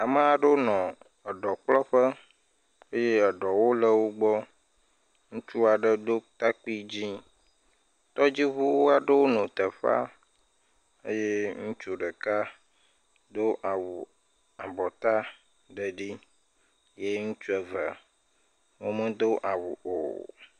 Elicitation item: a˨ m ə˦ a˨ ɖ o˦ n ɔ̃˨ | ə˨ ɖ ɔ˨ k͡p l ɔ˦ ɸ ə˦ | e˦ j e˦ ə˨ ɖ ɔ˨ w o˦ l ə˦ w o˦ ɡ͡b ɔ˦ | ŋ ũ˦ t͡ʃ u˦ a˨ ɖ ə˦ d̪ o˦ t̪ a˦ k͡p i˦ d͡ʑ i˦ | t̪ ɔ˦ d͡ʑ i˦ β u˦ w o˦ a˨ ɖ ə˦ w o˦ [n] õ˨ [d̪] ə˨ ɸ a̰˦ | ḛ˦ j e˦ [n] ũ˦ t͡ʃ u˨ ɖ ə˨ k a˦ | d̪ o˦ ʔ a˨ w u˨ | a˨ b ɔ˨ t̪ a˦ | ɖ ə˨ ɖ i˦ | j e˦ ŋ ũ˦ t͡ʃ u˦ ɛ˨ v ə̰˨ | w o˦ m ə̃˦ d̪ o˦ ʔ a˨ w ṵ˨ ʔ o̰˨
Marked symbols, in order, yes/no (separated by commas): yes, no, no